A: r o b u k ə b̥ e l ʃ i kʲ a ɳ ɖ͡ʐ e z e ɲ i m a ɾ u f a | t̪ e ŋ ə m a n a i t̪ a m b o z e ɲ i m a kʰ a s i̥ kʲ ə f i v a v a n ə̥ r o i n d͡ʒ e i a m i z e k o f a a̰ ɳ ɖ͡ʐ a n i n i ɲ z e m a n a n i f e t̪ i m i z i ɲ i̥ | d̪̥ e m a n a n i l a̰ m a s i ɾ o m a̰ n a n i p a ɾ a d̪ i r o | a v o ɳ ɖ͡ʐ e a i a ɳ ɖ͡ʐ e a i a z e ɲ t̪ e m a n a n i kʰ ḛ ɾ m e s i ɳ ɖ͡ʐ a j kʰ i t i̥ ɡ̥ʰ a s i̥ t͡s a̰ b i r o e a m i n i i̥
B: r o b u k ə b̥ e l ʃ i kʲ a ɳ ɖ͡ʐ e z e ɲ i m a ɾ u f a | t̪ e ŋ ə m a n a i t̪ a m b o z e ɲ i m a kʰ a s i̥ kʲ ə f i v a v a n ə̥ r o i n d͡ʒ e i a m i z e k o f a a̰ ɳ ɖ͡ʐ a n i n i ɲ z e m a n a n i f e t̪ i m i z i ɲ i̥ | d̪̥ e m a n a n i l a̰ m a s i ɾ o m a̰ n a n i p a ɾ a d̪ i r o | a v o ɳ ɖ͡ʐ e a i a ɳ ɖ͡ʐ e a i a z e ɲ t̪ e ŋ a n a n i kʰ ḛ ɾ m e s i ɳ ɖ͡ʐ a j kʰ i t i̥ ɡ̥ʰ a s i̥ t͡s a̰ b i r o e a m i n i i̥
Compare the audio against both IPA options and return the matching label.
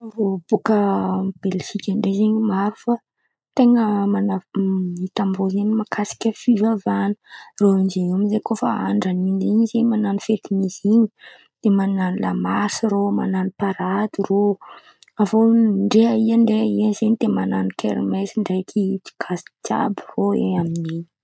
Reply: A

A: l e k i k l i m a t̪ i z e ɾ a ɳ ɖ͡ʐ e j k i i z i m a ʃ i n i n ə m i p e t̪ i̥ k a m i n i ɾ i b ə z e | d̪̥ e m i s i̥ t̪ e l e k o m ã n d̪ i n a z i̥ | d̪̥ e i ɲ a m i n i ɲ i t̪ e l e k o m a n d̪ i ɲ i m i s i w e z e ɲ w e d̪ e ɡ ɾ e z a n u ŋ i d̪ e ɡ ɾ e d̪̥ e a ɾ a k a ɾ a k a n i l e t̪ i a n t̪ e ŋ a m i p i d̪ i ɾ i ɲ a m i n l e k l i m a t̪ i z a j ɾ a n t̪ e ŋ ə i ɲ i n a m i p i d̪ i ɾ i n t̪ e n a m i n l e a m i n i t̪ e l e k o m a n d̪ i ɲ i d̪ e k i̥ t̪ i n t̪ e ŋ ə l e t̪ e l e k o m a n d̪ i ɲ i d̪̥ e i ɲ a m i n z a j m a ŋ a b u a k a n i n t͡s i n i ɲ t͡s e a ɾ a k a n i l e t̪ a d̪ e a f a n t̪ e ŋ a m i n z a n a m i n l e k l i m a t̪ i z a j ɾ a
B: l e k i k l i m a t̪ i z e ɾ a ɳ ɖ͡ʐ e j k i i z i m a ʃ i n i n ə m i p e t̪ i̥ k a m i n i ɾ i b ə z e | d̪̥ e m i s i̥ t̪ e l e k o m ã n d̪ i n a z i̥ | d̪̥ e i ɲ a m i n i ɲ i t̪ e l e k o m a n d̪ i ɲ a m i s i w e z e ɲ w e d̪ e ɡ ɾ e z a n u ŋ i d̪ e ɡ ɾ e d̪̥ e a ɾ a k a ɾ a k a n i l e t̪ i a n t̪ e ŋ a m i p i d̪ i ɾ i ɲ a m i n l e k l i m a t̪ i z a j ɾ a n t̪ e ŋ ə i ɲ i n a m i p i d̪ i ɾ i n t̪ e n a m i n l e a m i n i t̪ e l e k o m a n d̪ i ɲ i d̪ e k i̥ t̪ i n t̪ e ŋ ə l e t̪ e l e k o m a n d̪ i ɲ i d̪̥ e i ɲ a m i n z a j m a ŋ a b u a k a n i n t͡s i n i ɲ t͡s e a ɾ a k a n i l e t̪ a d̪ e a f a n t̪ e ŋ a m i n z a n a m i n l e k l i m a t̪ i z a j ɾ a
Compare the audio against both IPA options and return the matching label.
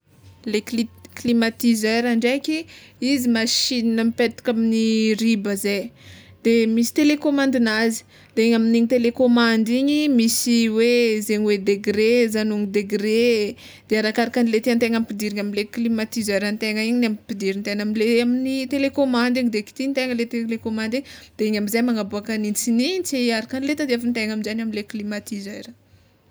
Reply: A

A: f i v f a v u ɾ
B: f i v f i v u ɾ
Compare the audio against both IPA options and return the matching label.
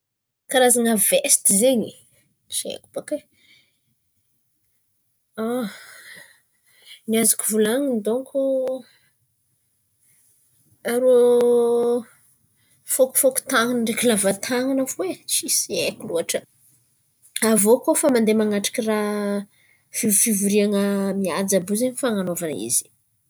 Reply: B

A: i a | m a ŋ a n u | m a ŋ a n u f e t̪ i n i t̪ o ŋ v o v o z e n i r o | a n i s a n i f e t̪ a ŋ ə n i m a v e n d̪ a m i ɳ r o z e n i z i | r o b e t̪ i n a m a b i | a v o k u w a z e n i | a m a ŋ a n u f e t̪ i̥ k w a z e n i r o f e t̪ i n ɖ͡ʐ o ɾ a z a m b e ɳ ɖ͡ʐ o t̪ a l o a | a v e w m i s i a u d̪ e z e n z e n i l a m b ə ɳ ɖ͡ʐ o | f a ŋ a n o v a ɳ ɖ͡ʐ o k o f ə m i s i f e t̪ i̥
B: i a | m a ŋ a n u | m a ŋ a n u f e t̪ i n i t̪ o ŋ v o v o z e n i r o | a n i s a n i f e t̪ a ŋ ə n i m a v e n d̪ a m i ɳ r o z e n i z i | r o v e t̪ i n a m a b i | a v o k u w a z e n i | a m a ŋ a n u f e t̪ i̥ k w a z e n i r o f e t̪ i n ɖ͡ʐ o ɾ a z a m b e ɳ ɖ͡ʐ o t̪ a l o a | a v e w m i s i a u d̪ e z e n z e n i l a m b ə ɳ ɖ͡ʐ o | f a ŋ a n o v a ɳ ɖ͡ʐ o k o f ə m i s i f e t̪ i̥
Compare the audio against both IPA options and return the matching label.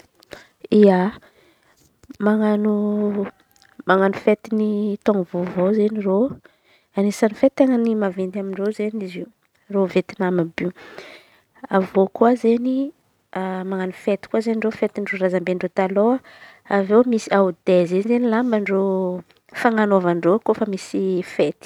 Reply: B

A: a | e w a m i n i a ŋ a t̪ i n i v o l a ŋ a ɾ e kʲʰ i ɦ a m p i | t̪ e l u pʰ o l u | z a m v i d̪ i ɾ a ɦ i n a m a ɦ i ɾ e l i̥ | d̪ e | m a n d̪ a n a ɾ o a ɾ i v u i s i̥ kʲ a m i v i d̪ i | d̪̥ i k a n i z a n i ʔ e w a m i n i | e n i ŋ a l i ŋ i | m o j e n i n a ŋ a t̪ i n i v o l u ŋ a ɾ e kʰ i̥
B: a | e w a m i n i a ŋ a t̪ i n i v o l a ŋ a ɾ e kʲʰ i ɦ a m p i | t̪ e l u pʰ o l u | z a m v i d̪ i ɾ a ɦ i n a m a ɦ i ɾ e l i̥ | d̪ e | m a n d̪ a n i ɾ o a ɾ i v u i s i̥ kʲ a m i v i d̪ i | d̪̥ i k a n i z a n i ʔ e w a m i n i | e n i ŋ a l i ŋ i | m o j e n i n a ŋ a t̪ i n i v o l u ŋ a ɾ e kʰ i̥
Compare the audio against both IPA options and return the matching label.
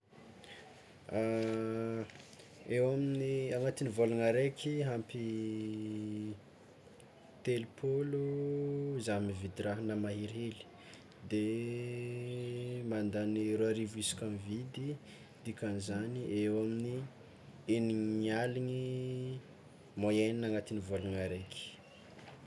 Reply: B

